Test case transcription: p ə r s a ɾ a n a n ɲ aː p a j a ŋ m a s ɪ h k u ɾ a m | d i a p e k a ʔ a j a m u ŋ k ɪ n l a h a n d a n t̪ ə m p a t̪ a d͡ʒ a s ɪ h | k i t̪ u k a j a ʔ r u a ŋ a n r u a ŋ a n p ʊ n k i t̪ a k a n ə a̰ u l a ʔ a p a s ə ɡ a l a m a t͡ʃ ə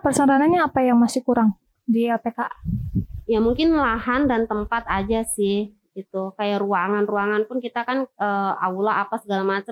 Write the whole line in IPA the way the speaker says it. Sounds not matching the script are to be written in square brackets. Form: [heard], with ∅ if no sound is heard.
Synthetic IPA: p ə r s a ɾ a n a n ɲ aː p a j a ŋ m a s ɪ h k u ɾ a [ŋ] | d i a p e k a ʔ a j a m u ŋ k ɪ n l a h a n d a n t̪ ə m p a t̪ a d͡ʒ a s ɪ h | [ɡ] i t̪ u k a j a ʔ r u a ŋ a n r u a ŋ a n p ʊ n k i t̪ a k a n ə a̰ u l a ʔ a p a s ə ɡ a l a m a t͡ʃ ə